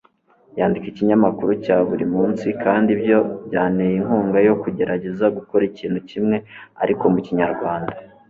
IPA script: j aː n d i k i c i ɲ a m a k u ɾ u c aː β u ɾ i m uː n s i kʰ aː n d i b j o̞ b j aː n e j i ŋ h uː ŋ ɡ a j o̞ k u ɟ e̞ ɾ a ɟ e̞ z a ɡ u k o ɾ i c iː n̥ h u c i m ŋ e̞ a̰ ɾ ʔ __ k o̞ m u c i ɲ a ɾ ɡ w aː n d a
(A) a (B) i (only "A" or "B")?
B